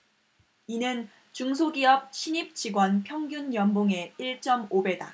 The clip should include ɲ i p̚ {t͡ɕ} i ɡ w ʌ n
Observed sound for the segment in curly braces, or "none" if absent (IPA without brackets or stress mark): t͡ɕ